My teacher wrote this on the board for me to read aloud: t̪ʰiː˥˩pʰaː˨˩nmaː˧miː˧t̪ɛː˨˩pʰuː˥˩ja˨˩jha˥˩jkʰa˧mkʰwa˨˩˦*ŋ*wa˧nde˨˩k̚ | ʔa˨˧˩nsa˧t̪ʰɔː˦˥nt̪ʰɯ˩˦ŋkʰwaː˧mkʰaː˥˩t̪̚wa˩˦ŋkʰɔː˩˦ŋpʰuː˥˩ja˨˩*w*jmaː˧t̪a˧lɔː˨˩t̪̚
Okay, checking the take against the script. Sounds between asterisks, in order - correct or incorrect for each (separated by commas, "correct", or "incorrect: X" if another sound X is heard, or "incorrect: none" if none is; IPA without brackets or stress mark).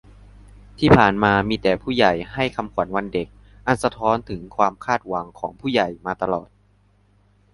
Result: incorrect: n, incorrect: none